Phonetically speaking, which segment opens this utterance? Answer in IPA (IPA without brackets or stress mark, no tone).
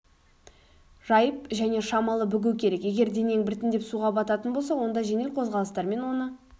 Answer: ʒ